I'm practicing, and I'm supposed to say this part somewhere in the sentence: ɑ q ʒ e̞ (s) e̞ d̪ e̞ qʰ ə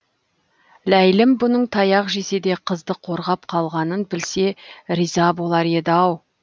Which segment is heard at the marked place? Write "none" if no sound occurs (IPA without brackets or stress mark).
s